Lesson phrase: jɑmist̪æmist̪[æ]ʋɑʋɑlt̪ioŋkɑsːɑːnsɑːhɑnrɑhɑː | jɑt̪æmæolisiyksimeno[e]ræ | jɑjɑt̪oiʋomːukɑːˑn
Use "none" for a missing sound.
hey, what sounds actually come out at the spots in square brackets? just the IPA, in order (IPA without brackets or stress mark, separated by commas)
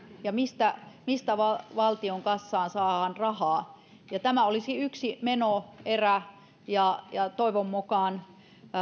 æ, e